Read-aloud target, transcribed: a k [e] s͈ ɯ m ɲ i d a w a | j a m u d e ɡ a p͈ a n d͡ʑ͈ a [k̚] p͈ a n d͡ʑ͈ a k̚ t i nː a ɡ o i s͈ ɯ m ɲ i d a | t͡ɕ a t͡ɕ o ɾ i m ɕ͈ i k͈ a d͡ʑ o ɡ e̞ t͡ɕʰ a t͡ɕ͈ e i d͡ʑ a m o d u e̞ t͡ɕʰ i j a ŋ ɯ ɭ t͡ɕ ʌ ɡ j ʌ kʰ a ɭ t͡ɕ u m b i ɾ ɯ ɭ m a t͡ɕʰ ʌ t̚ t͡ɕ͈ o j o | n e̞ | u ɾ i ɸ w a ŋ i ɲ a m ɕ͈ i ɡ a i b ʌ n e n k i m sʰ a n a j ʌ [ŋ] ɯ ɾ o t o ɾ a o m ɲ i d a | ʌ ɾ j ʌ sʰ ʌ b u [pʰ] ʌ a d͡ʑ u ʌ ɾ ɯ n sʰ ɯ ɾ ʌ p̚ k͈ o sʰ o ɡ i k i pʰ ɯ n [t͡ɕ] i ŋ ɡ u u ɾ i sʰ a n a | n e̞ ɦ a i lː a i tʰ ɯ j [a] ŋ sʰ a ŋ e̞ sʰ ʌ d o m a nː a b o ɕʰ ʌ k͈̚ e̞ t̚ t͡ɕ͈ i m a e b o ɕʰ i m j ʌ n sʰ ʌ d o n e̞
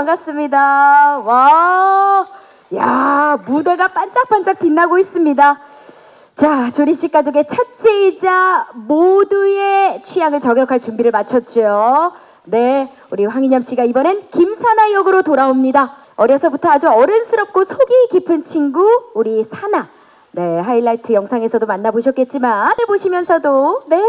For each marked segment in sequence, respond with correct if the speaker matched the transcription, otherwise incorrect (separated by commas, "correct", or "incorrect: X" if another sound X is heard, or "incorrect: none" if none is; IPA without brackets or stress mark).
incorrect: a, correct, incorrect: ɡ, incorrect: tʰ, incorrect: t͡ɕʰ, incorrect: ʌ